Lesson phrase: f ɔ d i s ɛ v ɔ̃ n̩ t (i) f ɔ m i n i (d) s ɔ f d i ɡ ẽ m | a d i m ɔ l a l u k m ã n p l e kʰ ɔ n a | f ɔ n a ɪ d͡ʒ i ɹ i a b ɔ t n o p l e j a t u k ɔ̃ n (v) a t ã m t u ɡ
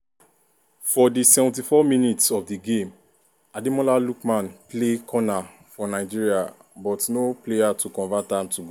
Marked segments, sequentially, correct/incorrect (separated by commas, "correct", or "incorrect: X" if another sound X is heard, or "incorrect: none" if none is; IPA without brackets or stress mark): correct, incorrect: t, correct